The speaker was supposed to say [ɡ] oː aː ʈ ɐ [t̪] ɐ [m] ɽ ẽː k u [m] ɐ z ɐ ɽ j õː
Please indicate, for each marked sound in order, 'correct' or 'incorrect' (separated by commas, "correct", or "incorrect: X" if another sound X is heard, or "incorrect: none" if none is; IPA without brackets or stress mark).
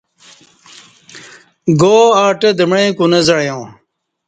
correct, incorrect: d̪, correct, incorrect: n